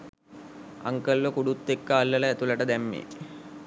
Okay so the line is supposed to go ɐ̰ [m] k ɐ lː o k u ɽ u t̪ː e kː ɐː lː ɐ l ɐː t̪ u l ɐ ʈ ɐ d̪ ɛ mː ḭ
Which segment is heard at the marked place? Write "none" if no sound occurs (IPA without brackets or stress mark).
ŋ